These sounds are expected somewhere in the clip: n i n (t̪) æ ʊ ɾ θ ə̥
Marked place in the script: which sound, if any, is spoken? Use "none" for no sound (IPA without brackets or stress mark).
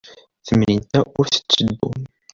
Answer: t̪